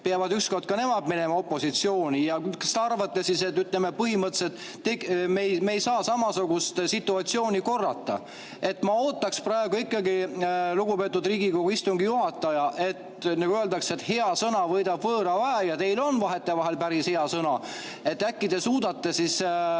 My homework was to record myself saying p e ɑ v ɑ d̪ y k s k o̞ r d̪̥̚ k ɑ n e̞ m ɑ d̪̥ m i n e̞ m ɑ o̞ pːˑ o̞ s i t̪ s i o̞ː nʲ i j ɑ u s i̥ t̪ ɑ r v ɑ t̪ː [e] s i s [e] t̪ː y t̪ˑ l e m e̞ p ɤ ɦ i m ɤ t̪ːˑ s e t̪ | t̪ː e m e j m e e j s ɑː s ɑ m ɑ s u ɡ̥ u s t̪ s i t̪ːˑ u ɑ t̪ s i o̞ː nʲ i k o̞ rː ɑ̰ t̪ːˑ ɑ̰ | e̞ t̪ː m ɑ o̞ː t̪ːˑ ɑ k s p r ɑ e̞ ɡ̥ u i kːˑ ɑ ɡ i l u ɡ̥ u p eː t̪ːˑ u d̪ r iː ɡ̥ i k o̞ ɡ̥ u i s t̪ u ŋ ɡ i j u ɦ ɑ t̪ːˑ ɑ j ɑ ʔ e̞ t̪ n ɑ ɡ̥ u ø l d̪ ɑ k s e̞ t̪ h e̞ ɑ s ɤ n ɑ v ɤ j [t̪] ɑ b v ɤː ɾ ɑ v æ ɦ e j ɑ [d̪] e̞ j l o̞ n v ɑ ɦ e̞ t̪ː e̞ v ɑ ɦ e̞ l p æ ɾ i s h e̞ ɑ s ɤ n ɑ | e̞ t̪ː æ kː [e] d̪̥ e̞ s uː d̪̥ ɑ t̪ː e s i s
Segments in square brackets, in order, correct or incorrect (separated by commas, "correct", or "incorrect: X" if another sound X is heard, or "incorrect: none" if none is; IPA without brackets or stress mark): correct, correct, incorrect: d̪, incorrect: t̪, incorrect: i